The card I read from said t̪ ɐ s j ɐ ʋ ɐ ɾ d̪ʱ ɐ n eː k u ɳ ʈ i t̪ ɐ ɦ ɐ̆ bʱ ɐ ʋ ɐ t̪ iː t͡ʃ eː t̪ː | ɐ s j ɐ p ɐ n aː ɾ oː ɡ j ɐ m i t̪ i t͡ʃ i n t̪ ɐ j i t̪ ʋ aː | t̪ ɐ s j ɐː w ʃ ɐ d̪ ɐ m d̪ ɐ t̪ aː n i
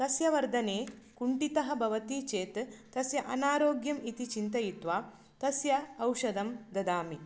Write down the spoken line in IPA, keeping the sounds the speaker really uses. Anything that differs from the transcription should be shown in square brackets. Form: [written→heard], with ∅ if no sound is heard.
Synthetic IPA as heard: t̪ ɐ s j ɐ ʋ ɐ ɾ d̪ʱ ɐ n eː k u ɳ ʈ i t̪ ɐ ɦ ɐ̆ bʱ ɐ ʋ ɐ t̪ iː t͡ʃ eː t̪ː | ɐ s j ɐ [p→ʔ] ɐ n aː ɾ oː ɡ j ɐ m i t̪ i t͡ʃ i n t̪ ɐ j i t̪ ʋ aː | t̪ ɐ s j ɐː w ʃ ɐ d̪ ɐ m d̪ ɐ [t̪→d̪] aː [n→m] i